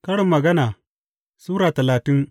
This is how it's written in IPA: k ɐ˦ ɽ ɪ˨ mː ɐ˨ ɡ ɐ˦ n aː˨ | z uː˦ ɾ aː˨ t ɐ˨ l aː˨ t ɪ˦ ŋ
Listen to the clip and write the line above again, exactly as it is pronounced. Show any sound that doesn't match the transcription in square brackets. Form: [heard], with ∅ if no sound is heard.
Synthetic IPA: k ɐ˦ ɽ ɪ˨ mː ɐ˨ ɡ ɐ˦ n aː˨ | [s] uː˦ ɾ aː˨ t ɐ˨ l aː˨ t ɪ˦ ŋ